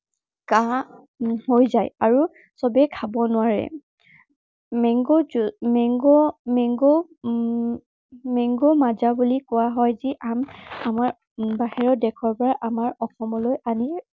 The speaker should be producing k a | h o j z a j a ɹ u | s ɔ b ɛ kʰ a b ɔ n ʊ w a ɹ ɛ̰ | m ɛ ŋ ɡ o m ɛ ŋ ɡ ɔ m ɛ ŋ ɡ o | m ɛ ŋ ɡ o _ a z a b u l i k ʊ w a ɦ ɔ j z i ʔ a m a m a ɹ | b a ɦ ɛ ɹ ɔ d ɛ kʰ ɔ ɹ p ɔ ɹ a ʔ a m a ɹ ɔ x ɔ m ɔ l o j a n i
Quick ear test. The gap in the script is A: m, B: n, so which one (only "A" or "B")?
A